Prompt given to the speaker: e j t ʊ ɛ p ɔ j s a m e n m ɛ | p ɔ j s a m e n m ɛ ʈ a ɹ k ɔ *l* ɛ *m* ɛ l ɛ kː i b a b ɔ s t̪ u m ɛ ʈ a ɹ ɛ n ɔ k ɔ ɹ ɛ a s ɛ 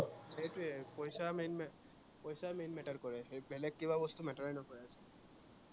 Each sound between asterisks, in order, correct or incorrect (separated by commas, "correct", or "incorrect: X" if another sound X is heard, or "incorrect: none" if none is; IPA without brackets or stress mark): incorrect: ɹ, incorrect: b